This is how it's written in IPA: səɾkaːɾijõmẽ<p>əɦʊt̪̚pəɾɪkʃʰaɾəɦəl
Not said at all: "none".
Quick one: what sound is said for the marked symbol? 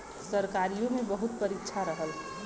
b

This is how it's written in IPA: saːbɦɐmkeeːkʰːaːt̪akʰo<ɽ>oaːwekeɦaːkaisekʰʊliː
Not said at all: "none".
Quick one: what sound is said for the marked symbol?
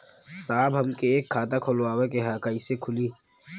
l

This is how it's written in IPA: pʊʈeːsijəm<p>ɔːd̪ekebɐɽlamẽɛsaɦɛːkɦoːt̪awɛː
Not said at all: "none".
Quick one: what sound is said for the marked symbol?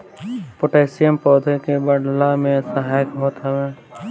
p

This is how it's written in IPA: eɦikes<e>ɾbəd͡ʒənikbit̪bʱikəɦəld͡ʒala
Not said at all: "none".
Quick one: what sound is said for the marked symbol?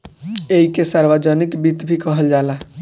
a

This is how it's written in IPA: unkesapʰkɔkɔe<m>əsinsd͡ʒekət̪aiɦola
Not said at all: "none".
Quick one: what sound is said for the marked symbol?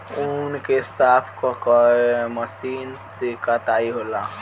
m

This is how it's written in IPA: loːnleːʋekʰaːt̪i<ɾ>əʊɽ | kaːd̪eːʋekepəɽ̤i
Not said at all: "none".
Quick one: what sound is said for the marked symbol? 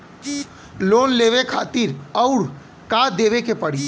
ɾ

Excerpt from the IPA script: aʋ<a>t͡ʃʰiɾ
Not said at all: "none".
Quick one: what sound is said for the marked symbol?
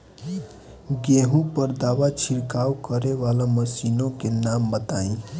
a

